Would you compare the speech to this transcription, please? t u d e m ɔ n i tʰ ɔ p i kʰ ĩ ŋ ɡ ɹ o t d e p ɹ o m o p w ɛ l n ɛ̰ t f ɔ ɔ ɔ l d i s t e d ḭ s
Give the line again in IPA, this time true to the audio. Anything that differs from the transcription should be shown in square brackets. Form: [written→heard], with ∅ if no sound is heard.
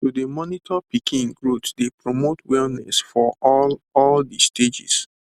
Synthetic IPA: t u d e m ɔ n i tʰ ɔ p i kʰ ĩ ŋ ɡ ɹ o t d e p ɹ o m o [p→t] w ɛ l n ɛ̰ [t→s] f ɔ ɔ ɔ l d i s t e [d→d͡ʒ] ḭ s